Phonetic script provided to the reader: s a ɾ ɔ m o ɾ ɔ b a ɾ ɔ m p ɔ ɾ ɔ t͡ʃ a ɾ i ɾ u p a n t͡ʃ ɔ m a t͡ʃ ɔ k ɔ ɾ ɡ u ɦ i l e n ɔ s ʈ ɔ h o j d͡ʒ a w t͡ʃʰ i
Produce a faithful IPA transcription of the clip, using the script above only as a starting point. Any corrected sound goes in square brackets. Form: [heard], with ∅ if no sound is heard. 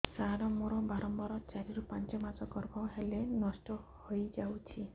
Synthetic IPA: s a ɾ ɔ m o ɾ ɔ b a ɾ ɔ m [b] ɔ ɾ ɔ t͡ʃ a ɾ i ɾ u p a n t͡ʃ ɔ m a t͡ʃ ɔ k ɔ ɾ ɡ [ɔ] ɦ [e] l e n ɔ s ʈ ɔ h o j d͡ʒ a w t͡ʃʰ i

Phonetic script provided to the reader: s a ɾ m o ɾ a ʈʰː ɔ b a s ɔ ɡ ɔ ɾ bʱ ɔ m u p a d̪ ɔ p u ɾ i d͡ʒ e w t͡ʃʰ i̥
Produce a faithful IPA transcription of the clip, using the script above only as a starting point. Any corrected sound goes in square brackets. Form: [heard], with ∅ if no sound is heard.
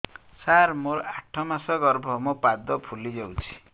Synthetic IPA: s a ɾ m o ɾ a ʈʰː ɔ [m] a s ɔ ɡ ɔ ɾ bʱ ɔ m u p a d̪ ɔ [pʰ] u [l] i d͡ʒ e w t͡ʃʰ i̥

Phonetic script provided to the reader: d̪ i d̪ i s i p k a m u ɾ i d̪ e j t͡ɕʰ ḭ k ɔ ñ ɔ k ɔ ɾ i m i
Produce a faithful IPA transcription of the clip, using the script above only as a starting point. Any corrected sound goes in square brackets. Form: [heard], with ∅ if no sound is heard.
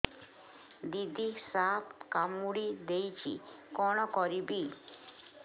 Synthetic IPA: d̪ i d̪ i s [a] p k a m u [ɽ] i d̪ e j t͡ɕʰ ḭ k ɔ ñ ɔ k ɔ ɾ i [b] i

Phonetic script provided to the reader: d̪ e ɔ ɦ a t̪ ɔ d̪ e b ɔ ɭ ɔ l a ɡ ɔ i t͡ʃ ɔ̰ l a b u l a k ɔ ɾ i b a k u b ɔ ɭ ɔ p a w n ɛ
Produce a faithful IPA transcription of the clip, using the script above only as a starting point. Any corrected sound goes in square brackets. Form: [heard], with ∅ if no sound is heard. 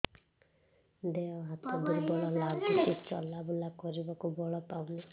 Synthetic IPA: d̪ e ɔ ɦ a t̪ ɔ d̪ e b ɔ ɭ ɔ l a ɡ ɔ i t͡ʃ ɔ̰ l a b u l a k ɔ ɾ i b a k u b ɔ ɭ ɔ p a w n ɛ

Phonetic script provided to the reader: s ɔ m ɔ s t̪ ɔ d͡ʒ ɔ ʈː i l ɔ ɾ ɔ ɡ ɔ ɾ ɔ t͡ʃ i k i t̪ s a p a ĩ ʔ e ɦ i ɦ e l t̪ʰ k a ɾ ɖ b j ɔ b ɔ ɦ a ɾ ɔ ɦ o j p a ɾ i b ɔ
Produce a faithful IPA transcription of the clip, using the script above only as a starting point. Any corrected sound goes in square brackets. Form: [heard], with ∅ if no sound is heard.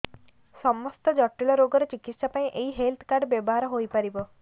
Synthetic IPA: s ɔ m ɔ s t̪ ɔ d͡ʒ ɔ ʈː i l ɔ ɾ [o] ɡ ɔ ɾ ɔ t͡ʃ i k i t̪ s a p a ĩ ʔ e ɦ i ɦ e l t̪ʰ k a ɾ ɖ b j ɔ b ɔ ɦ a ɾ ɔ ɦ o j p a ɾ i b ɔ

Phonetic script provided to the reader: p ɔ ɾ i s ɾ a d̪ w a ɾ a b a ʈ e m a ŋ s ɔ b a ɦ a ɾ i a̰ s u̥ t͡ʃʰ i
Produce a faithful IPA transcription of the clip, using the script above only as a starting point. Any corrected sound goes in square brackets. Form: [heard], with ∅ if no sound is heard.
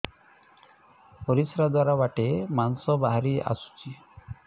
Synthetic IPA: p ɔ ɾ i s ɾ a d̪ w a ɾ a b a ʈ e m a [n] s ɔ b a ɦ a ɾ i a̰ s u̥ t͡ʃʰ i

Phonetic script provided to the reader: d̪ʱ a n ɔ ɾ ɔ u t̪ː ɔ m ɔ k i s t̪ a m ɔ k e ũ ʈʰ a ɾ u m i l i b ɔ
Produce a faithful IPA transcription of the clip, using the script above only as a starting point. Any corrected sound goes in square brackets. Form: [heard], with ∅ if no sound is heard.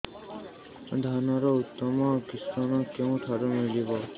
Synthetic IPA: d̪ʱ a n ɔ ɾ ɔ u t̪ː ɔ m ɔ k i s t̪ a [n] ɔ k e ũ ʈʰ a ɾ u m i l i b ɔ

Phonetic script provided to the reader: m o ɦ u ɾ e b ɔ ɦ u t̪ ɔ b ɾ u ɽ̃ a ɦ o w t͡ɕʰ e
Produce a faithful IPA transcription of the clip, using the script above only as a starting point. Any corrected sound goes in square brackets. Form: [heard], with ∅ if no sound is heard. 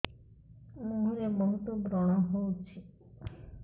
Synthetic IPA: m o ɦ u ɾ e b ɔ ɦ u t̪ [o] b ɾ [ɔ] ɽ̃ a ɦ o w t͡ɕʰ e

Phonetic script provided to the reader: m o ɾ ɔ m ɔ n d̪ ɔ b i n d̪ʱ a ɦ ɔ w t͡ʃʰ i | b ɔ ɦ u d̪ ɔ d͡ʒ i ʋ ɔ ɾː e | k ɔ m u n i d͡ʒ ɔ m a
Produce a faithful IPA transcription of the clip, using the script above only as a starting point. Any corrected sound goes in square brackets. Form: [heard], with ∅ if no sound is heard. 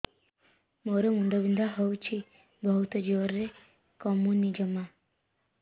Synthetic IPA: m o ɾ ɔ m [u] n d̪ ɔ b i n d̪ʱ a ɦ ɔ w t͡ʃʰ i | b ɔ ɦ u [t̪] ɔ d͡ʒ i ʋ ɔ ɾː e | k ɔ m u n i d͡ʒ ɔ m a

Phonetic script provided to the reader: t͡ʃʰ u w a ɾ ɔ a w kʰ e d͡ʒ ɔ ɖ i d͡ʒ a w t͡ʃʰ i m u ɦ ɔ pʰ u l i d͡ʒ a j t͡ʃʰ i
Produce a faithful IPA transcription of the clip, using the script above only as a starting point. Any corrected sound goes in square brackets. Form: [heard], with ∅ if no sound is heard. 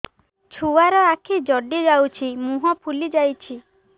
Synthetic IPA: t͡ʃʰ u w a ɾ ɔ a [∅] kʰ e d͡ʒ ɔ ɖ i d͡ʒ a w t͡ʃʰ i m u ɦ ɔ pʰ u l i d͡ʒ a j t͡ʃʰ i

